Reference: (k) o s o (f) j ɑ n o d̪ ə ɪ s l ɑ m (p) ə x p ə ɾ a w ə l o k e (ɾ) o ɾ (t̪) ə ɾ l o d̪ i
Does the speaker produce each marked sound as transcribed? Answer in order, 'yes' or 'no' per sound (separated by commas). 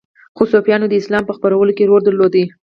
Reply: no, yes, yes, yes, no